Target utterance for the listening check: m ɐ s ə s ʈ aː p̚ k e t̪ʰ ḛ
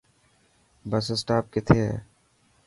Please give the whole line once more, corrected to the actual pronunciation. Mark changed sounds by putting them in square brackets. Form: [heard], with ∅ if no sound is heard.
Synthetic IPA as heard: [b] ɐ s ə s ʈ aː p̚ k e t̪ʰ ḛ